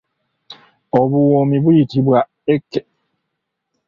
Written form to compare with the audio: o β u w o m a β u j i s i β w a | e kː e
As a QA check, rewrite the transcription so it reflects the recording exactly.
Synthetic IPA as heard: o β u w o m i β u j i t i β w a | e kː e